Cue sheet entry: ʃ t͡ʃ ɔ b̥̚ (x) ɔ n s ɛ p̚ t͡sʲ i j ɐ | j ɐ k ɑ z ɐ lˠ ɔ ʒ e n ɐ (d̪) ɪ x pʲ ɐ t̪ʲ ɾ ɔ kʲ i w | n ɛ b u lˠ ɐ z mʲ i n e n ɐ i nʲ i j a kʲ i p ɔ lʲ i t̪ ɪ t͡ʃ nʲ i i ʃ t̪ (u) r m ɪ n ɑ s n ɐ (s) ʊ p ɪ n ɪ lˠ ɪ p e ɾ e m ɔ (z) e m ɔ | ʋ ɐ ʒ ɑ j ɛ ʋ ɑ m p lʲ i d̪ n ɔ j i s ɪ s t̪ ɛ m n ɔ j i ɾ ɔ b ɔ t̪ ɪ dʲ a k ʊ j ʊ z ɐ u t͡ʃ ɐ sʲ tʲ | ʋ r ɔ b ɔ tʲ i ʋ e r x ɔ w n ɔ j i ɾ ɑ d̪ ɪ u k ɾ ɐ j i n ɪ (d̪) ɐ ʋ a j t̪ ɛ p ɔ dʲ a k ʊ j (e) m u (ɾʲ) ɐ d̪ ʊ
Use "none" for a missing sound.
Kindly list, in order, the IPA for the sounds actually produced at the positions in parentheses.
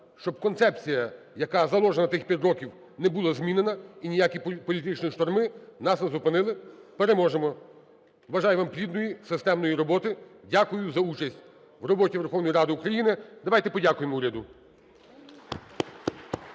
k, t̪, ɔ, z, ʒ, d̪, e, ɾʲ

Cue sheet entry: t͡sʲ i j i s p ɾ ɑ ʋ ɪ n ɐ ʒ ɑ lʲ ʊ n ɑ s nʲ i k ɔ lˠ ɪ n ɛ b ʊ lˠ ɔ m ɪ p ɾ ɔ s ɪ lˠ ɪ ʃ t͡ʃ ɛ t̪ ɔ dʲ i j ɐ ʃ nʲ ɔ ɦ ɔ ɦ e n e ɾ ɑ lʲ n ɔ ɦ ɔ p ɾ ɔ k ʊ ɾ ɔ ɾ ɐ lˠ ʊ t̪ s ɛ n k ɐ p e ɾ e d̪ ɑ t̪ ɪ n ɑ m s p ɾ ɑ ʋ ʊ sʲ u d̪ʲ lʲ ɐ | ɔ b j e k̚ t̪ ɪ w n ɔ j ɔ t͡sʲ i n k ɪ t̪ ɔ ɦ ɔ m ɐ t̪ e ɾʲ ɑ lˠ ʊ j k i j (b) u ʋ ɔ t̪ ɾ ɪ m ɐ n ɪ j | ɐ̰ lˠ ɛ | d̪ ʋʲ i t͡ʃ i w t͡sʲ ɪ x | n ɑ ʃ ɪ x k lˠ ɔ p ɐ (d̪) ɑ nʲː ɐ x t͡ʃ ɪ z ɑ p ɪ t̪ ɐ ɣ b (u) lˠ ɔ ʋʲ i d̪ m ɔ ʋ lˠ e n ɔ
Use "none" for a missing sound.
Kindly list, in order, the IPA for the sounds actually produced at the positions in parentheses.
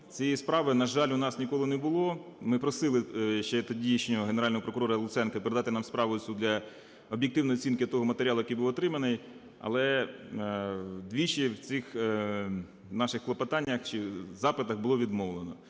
b, t̪, ʊ

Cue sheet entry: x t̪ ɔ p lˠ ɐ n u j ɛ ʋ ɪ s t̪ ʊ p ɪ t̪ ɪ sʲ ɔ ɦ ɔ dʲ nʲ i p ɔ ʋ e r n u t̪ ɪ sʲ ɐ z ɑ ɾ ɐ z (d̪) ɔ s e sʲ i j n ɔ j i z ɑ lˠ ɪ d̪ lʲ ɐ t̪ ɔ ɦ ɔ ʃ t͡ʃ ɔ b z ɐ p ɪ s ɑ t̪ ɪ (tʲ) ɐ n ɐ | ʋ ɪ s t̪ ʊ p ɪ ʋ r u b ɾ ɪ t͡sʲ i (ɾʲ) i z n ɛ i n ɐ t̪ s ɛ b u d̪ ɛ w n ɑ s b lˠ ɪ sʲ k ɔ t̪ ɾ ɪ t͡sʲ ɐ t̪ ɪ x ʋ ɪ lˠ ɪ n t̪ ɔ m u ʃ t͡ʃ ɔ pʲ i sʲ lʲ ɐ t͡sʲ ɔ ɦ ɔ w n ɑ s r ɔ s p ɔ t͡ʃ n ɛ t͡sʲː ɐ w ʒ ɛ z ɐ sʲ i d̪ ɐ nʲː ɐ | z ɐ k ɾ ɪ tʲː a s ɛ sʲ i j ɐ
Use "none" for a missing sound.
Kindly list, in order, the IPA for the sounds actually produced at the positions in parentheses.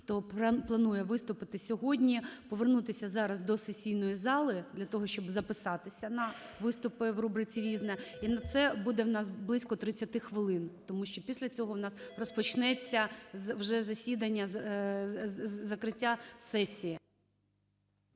d̪, sʲ, ɾʲ

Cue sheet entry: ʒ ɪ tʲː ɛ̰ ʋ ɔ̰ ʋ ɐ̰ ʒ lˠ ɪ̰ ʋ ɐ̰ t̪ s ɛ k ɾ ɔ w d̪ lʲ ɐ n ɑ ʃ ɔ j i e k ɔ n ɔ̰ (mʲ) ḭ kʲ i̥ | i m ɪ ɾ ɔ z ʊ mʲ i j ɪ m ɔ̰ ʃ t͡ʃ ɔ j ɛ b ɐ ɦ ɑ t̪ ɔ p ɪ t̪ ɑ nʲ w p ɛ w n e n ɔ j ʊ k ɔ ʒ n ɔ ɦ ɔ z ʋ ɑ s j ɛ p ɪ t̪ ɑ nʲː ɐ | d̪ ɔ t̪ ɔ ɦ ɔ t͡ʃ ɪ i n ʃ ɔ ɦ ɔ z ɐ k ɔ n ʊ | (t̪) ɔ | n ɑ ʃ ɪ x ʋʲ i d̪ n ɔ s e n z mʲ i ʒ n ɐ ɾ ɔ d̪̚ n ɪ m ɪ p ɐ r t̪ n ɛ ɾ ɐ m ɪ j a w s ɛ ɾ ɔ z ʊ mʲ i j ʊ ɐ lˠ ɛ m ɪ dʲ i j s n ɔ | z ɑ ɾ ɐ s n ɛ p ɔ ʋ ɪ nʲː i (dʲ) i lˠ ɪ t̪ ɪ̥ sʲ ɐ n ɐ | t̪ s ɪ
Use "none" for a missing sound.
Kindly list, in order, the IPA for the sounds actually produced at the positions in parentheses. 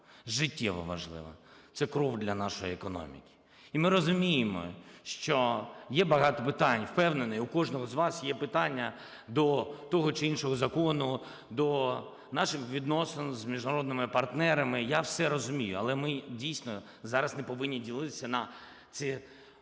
mʲ, d̪, dʲ

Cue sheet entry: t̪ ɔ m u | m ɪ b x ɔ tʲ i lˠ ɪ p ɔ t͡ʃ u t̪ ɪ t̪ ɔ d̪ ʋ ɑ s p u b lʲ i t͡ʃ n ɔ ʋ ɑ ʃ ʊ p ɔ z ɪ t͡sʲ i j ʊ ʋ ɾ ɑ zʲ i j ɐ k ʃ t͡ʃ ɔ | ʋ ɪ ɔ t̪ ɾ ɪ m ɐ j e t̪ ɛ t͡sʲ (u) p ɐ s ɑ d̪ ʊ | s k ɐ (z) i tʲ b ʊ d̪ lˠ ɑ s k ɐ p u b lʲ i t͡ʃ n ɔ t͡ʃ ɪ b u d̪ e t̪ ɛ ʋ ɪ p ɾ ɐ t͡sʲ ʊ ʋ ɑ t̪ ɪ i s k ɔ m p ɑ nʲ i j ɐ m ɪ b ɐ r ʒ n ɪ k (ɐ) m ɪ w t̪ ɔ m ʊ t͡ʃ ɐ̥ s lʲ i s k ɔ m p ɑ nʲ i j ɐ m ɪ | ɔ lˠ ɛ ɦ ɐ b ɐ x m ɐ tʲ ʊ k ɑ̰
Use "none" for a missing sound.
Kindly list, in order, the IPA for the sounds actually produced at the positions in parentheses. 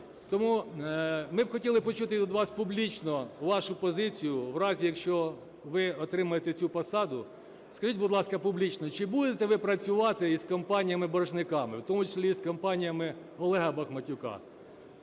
u, ʒ, ɑ

